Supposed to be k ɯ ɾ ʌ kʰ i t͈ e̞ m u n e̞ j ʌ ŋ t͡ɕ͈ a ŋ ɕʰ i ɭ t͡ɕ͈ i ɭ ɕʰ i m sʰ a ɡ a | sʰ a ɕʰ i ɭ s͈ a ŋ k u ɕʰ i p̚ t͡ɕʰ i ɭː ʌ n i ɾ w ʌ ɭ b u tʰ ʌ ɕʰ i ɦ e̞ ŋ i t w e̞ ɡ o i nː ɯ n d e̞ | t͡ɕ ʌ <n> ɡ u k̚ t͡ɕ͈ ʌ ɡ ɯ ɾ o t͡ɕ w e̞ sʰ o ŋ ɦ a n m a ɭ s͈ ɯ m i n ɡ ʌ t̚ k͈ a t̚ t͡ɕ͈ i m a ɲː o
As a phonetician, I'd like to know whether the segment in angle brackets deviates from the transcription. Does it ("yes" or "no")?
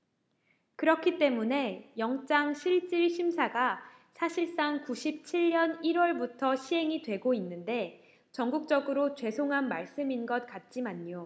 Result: yes